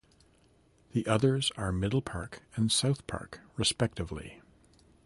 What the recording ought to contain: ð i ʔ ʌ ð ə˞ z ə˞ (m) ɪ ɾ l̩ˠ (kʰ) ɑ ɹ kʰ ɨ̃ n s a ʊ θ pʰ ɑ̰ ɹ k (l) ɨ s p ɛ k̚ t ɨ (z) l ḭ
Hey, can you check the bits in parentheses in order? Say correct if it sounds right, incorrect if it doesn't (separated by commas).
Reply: correct, incorrect, incorrect, incorrect